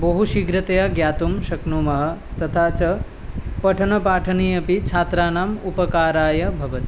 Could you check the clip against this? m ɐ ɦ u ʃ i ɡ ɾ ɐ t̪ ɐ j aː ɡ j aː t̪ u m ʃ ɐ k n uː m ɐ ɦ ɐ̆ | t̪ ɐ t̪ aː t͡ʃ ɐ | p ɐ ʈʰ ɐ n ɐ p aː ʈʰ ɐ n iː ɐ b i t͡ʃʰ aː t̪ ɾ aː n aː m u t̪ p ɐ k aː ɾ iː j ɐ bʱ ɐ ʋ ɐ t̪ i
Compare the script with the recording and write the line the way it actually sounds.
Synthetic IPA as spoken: b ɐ ɦ u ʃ i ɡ ɾ ɐ t̪ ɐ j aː ɡ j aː t̪ u m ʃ ɐ k n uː m ɐ ɦ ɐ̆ | t̪ ɐ t̪ʰ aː t͡ʃ ɐ | p ɐ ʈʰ ɐ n ɐ p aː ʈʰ ɐ n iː ɐ p i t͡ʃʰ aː t̪ ɾ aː n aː m u p ɐ k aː ɾ aː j ɐ bʱ ɐ ʋ ɐ t̪ i